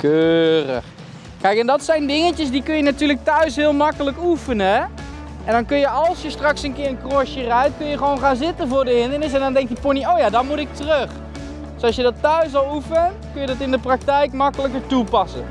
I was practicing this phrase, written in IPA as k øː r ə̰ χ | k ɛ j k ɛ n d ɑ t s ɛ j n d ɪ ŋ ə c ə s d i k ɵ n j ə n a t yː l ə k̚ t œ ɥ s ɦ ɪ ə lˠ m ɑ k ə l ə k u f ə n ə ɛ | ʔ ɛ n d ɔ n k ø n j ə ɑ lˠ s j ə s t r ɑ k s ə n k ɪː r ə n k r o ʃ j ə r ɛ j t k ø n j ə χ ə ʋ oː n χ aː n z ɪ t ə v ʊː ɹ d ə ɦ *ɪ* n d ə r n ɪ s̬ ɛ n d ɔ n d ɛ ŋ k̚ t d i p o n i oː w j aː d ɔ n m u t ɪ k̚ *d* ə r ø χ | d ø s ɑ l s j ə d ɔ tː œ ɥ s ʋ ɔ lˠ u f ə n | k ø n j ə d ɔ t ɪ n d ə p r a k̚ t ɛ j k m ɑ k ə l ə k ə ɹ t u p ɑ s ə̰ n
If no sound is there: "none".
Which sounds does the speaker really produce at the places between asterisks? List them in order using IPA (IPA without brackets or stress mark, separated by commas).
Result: ɪ, t